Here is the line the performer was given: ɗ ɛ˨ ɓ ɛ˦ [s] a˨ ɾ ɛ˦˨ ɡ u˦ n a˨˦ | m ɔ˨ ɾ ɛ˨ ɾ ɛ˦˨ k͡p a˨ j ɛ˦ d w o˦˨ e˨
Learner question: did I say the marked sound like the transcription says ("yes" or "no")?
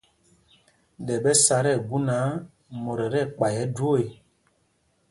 yes